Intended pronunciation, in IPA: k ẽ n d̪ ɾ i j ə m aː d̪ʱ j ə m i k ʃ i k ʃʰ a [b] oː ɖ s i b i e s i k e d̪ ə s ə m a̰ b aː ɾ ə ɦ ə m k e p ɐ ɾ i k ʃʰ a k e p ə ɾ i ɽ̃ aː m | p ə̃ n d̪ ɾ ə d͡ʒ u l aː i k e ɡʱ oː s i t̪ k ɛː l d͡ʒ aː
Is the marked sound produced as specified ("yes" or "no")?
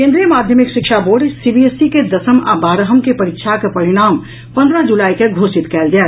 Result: yes